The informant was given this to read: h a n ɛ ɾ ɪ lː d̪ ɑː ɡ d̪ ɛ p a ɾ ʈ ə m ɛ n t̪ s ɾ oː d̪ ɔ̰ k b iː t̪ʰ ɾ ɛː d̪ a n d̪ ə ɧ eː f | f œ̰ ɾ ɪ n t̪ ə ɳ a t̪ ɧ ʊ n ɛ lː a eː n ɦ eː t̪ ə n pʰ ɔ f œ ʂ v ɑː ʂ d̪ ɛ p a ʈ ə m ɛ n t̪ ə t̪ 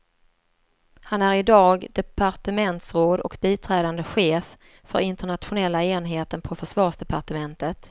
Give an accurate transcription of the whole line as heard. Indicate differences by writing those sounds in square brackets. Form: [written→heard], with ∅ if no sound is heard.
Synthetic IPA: h a n [ɛ→æ] ɾ ɪ [lː→∅] d̪ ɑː ɡ d̪ ɛ p a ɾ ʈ ə m ɛ n t̪ s ɾ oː d̪ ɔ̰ k b iː t̪ʰ ɾ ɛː d̪ a n d̪ ə ɧ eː f | f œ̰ ɾ ɪ n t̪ ə ɳ a t̪ ɧ ʊ n ɛ lː a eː n ɦ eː t̪ ə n pʰ ɔ f œ ʂ v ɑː ʂ d̪ ɛ p a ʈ ə m ɛ n t̪ ə t̪